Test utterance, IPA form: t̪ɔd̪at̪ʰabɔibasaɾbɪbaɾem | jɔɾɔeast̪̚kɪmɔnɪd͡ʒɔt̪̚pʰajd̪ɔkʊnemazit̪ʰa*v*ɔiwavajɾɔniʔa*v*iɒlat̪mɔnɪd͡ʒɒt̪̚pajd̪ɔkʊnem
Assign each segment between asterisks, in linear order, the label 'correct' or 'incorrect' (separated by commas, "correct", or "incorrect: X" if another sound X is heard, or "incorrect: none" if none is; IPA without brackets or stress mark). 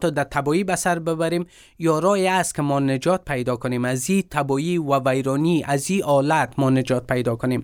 incorrect: b, incorrect: z